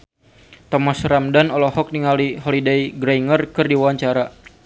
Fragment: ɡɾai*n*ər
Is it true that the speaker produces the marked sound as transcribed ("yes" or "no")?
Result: no